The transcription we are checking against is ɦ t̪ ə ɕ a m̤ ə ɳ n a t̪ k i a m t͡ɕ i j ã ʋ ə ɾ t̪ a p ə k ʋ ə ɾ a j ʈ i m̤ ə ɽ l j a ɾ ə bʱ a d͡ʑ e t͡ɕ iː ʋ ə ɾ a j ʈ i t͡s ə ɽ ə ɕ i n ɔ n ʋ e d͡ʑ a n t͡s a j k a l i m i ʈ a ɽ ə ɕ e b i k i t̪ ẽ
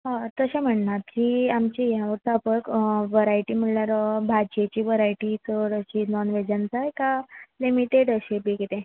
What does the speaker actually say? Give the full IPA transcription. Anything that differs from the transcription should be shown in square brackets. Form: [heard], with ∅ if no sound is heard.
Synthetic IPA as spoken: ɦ t̪ ə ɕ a m̤ ə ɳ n a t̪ k i a m t͡ɕ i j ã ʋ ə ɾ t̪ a p ə k ʋ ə ɾ a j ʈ i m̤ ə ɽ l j a ɾ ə bʱ a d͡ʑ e t͡ɕ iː ʋ ə ɾ a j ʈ i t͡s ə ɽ ə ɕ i n ɔ n ʋ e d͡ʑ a n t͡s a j k a l i m i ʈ [e] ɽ ə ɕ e b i k i t̪ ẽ